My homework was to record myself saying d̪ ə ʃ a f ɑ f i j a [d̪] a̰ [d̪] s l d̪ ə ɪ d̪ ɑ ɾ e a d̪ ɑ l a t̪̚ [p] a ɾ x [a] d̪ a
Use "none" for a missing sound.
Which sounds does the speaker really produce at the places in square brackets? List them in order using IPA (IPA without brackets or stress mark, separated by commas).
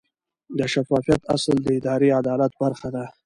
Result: t̪, none, b, a